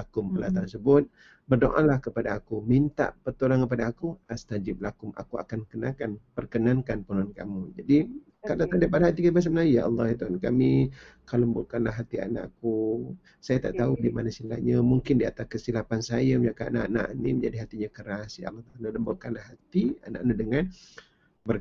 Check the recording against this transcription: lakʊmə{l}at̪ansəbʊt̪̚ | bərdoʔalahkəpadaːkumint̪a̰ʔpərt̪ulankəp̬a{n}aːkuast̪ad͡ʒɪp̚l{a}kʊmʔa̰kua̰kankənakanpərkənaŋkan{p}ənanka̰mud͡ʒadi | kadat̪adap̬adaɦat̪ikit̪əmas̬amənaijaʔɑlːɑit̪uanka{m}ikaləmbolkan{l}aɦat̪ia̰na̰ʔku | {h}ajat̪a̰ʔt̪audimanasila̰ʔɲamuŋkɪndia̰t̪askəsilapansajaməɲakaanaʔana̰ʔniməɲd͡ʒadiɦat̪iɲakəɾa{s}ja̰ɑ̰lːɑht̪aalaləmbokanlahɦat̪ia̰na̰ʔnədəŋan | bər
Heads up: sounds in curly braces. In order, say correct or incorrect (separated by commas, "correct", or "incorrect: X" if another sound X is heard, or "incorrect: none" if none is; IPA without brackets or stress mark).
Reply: correct, incorrect: d, correct, correct, correct, correct, incorrect: s, correct